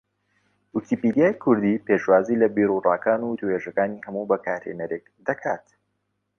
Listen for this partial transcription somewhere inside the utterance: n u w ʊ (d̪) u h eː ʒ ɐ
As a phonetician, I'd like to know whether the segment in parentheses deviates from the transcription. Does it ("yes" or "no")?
yes